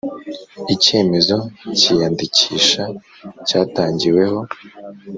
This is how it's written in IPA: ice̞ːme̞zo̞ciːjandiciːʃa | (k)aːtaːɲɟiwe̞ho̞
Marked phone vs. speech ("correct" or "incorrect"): incorrect